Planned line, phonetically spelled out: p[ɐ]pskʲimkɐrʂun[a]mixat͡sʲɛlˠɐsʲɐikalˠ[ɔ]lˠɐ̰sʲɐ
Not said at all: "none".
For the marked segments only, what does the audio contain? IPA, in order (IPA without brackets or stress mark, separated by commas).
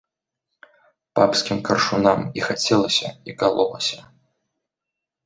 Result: a, a, ɔ